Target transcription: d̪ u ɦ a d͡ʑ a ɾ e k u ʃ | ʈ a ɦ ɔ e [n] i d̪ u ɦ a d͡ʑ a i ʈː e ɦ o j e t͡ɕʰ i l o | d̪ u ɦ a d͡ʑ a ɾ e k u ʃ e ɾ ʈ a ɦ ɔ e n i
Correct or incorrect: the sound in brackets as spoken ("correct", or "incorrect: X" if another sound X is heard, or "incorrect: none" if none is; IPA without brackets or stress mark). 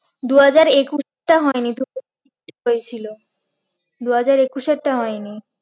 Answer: correct